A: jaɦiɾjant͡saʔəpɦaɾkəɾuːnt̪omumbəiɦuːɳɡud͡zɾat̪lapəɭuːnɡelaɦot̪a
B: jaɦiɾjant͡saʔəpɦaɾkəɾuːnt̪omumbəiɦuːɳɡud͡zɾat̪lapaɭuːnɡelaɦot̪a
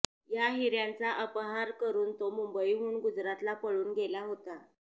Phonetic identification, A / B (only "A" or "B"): A